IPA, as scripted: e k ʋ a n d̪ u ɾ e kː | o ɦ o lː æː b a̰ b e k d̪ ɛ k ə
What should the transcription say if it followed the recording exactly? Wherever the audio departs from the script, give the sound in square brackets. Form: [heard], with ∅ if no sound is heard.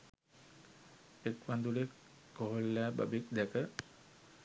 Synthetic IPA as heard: e k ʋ a n d̪ u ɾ e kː | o ɦ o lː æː b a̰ b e k d̪ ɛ k ə